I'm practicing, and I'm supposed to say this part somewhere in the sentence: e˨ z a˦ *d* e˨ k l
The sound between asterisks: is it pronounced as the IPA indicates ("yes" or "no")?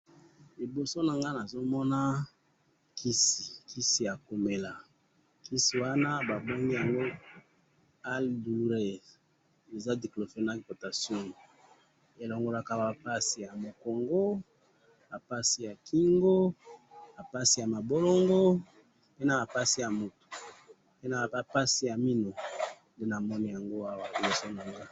yes